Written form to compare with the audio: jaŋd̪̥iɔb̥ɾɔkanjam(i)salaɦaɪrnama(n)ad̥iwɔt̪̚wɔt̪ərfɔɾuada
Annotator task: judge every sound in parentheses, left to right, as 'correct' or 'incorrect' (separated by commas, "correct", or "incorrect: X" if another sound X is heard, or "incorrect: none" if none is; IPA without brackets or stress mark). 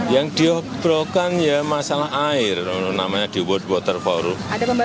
incorrect: a, incorrect: ɲ